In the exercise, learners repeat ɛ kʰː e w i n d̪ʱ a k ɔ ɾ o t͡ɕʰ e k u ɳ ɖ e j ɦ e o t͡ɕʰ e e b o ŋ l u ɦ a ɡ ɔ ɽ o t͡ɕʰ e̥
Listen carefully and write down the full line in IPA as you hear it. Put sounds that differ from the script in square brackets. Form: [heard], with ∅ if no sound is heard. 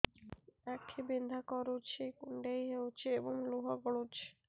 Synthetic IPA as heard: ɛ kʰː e [b] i n d̪ʱ a k ɔ ɾ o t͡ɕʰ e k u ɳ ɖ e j ɦ e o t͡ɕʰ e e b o ŋ l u ɦ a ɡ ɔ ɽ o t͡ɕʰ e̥